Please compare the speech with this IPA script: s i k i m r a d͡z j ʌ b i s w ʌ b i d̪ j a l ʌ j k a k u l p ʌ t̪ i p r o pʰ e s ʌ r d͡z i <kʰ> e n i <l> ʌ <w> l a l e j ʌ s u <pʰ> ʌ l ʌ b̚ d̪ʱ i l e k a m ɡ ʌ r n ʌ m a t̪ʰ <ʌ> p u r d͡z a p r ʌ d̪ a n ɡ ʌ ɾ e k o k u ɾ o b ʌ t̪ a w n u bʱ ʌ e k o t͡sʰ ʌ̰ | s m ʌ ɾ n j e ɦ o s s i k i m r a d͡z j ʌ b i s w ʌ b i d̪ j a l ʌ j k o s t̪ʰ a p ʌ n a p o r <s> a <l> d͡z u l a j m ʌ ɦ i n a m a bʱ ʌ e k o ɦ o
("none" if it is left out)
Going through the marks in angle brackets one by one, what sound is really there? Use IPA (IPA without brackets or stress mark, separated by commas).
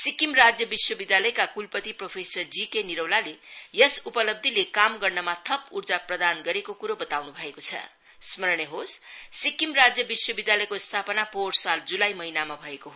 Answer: k, ɾ, w, p, ʌ, s, l